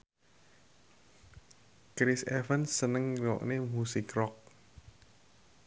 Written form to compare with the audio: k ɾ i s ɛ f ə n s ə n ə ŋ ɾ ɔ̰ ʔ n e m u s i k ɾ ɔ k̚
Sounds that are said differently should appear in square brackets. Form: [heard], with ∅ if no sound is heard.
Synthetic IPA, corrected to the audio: k ɾ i s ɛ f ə n s ə n ə ŋ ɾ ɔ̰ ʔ n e m u s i k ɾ ɔ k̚

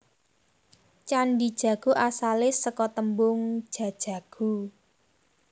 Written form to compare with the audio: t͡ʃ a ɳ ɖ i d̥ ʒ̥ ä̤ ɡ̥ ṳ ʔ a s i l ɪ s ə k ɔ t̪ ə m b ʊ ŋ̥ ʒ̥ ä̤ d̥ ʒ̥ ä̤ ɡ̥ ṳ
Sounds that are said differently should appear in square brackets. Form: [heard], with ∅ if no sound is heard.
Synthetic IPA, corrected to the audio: t͡ʃ a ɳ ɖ i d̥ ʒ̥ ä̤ ɡ̥ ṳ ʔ a s [a] l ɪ s ə k ɔ t̪ ə m b ʊ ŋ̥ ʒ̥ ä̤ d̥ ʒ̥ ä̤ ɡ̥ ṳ

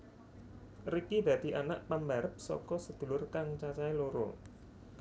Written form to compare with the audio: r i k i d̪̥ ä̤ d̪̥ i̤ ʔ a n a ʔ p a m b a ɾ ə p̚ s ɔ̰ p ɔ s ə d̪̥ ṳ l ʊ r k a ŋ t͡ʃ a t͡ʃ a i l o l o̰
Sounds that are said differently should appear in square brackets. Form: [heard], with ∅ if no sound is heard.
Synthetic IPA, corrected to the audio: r i k i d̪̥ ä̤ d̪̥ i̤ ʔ a n a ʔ p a m b a ɾ ə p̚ s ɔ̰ [k] ɔ s ə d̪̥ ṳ l ʊ r k a ŋ t͡ʃ a t͡ʃ a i l o [ɾ] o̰

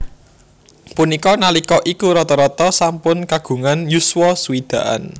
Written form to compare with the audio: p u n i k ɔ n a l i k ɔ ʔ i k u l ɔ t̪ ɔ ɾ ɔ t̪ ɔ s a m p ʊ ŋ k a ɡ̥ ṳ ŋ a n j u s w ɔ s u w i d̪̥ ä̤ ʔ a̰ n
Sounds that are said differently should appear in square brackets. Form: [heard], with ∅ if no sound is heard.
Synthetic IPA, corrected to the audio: p u n i k ɔ n a l i k ɔ ʔ i k u [ɾ] ɔ t̪ ɔ ɾ ɔ t̪ ɔ s a m p ʊ [n] k a ɡ̥ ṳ ŋ a n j u s w ɔ s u w i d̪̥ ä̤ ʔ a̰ n

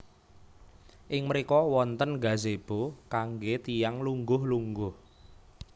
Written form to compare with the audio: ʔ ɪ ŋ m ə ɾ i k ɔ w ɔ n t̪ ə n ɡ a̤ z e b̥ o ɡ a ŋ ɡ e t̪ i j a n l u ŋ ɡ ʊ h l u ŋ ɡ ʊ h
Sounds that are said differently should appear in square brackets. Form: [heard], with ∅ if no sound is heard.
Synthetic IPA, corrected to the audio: ʔ ɪ ŋ m ə ɾ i k ɔ w ɔ n t̪ ə n ɡ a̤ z e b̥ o [k] a ŋ ɡ e t̪ i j a [ŋ] l u ŋ ɡ ʊ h l u ŋ ɡ ʊ h

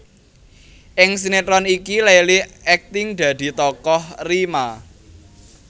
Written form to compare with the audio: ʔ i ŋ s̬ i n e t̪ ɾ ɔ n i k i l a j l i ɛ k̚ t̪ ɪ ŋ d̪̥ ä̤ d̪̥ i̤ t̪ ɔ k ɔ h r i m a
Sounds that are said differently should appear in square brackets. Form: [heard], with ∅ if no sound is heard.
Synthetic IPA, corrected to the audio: ʔ [ɪ] ŋ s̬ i n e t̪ ɾ ɔ n i k i l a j l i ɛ k̚ t̪ ɪ ŋ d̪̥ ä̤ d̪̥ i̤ t̪ ɔ k ɔ h r i m a

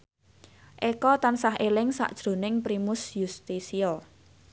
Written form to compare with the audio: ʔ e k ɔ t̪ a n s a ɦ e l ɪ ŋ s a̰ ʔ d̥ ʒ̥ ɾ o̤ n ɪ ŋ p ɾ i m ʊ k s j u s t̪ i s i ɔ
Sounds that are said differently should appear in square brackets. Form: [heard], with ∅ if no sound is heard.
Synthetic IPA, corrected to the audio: ʔ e k ɔ t̪ a n s a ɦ e l ɪ ŋ s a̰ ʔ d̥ ʒ̥ ɾ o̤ n ɪ ŋ p ɾ i m ʊ [∅] s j u s t̪ i s i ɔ

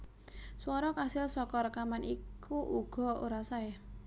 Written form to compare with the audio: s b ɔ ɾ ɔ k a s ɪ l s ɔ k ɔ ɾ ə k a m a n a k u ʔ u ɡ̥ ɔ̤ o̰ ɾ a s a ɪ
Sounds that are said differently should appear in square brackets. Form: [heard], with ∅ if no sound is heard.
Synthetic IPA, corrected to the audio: s [w] ɔ ɾ ɔ k a s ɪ l s ɔ k ɔ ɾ ə k a m a n [i] k u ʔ u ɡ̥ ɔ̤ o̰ ɾ a s a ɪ

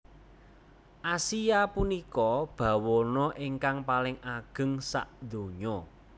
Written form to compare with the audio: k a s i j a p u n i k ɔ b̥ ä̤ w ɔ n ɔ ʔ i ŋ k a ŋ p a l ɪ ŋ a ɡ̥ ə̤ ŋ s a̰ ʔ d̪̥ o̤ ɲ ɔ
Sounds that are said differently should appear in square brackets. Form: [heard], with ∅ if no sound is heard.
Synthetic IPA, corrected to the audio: [ʔ] a s i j a p u n i k ɔ b̥ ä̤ w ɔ n ɔ ʔ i ŋ k a ŋ p a l ɪ ŋ a ɡ̥ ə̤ ŋ s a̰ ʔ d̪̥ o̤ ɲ ɔ

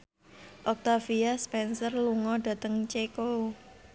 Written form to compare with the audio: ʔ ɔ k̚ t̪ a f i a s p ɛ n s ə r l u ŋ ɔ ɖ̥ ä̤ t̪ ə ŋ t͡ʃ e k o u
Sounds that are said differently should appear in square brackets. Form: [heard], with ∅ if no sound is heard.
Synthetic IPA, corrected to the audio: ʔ ɔ k̚ t̪ a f i a s p ɛ n s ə r l u ŋ ɔ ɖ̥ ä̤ t̪ ə ŋ t͡ʃ e k o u

